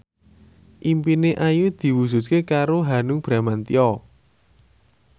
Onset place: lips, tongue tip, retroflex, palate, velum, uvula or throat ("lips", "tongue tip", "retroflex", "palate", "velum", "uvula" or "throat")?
throat